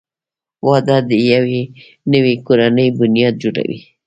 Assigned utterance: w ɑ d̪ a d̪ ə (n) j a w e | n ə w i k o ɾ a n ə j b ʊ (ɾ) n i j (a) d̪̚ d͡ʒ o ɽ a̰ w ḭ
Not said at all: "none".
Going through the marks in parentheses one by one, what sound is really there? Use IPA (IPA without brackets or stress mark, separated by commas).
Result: none, none, ɑ